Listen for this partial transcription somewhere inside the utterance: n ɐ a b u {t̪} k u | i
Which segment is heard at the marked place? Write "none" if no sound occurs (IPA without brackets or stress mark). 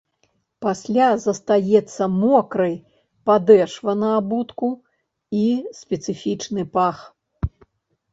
t̪